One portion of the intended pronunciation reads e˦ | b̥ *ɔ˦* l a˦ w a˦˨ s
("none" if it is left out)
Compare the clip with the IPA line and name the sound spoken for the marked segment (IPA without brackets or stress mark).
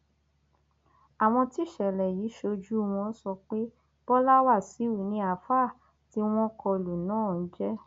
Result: ɔ˦